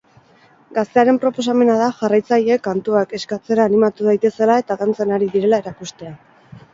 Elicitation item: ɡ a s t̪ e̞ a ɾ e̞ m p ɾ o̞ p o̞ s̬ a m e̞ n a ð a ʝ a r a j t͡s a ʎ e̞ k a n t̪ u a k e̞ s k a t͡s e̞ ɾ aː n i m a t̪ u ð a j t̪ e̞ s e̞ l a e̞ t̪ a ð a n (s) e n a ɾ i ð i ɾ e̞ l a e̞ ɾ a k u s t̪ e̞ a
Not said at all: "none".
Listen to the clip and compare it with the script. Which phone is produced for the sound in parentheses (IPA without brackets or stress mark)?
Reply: t͡s